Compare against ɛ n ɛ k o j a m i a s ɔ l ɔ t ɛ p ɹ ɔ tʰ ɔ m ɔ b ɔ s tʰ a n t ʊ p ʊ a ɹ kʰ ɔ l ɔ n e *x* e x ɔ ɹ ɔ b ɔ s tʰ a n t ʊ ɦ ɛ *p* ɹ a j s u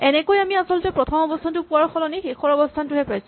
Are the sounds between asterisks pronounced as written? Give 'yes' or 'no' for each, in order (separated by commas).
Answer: yes, yes